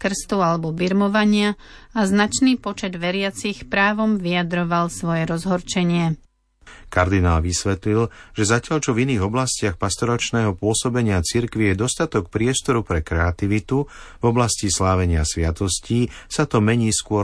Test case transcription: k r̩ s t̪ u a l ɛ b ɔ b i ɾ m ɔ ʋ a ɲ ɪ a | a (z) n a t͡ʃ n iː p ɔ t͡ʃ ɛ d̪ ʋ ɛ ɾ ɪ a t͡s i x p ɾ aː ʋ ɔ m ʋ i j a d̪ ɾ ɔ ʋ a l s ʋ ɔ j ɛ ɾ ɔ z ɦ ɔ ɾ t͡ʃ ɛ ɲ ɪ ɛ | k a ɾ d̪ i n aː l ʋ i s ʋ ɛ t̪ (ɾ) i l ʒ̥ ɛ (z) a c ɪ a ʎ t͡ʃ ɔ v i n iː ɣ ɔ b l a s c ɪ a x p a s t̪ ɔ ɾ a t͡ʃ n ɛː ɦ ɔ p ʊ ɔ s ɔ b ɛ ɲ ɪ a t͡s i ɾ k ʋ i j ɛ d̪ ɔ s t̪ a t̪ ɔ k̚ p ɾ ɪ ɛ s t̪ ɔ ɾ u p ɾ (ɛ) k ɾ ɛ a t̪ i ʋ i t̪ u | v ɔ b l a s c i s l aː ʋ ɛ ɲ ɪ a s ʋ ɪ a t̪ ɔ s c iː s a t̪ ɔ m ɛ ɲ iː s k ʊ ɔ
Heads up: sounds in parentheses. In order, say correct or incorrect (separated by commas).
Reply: correct, incorrect, correct, correct